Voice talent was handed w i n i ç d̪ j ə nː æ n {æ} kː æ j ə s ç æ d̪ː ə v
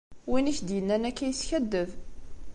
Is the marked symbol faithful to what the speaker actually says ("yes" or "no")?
yes